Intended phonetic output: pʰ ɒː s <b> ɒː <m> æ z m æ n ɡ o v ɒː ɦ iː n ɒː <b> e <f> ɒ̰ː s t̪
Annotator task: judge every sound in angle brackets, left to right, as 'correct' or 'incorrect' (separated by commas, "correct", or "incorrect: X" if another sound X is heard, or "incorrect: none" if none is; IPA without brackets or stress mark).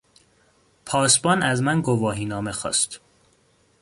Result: correct, incorrect: n, incorrect: m, incorrect: x